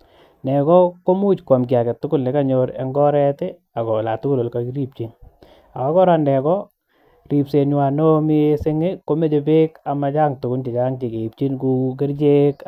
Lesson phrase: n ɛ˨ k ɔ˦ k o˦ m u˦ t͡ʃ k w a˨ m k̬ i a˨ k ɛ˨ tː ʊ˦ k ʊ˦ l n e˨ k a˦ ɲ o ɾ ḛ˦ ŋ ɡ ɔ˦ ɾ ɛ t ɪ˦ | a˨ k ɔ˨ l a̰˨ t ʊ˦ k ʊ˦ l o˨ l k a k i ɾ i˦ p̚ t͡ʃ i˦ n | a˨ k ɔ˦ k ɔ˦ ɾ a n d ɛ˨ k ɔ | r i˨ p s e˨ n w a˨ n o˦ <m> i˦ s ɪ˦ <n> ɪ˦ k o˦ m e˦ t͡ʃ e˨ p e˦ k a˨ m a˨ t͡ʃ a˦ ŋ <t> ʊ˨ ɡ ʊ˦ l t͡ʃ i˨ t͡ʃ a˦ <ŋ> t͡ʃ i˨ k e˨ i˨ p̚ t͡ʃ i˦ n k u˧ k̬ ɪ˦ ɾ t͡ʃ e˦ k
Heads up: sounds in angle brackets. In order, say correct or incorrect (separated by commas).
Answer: correct, incorrect, correct, correct